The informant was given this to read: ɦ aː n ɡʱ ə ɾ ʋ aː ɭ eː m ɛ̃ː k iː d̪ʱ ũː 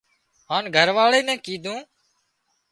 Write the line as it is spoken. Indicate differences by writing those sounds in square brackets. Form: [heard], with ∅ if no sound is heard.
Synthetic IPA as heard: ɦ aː n ɡʱ ə ɾ ʋ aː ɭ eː [n] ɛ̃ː k iː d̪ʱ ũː